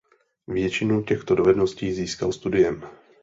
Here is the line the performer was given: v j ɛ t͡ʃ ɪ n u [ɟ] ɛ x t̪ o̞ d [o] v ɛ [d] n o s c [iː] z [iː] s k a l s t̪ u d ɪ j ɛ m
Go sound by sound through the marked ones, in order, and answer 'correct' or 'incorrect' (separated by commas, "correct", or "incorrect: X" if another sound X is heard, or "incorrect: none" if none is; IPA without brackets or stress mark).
incorrect: c, correct, correct, correct, correct